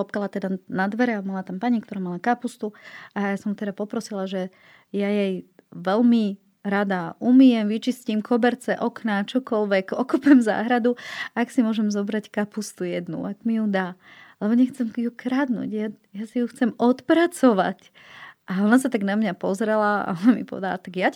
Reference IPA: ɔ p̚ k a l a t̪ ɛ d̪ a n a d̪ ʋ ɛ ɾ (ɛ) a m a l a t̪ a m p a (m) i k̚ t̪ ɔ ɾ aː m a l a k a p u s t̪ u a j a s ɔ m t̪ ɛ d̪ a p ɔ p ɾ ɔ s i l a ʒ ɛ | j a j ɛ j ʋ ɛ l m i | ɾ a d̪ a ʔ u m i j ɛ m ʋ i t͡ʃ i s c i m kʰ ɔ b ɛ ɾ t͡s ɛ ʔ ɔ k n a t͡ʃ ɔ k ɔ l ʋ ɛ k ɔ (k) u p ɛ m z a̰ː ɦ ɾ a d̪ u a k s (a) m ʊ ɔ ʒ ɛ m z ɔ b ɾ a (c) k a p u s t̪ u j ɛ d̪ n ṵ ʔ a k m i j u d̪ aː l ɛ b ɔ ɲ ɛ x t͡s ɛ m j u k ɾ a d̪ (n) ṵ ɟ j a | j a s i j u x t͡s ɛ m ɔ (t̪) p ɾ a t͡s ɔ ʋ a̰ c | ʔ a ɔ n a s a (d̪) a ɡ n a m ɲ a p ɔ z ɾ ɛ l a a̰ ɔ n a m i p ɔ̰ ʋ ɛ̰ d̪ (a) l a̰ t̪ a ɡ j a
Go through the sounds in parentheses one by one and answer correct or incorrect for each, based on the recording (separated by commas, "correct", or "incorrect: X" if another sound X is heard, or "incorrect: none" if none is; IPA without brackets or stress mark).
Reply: correct, incorrect: ɲ, correct, incorrect: i, correct, correct, correct, incorrect: t̪, correct